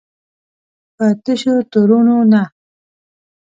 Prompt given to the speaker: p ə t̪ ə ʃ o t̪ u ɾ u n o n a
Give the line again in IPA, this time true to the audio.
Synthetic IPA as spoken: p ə t̪ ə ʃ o t̪ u ɾ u n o n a